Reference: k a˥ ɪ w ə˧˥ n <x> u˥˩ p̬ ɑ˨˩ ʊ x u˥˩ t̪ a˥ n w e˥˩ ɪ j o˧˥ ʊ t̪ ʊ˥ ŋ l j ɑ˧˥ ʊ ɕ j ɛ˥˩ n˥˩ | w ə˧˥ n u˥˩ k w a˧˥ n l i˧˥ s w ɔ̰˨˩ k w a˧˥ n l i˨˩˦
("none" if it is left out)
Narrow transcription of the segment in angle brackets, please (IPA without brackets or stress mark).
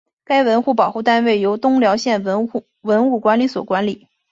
x